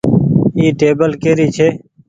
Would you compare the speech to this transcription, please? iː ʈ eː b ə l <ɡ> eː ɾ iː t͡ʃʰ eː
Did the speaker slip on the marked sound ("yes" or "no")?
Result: yes